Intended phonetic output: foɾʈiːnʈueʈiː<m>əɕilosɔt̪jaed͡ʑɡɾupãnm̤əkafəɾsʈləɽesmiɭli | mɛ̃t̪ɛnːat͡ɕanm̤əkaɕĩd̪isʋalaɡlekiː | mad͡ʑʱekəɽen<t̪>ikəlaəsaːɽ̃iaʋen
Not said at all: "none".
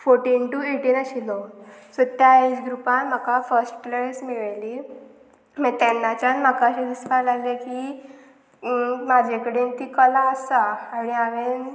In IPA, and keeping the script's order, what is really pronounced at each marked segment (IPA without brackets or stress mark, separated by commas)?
n, t̪